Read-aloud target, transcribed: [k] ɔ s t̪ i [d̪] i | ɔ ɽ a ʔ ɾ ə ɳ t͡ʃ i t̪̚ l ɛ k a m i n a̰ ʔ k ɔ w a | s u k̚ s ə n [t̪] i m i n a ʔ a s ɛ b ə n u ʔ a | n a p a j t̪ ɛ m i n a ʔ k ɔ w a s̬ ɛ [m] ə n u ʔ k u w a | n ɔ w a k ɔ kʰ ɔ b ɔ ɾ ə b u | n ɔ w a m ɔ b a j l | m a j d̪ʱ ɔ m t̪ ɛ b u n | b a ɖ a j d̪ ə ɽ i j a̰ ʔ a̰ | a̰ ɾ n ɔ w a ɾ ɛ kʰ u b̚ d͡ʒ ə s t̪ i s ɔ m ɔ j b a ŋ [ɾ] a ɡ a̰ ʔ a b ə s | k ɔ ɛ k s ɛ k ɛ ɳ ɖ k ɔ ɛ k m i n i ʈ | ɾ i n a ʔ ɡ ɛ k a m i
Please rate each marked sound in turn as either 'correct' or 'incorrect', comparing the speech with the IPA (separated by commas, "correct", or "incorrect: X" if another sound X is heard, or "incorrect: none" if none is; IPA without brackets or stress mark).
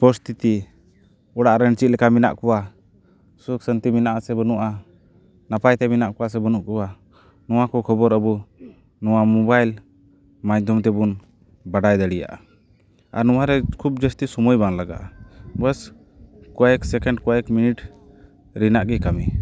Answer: incorrect: p, incorrect: t̪, correct, incorrect: b, incorrect: l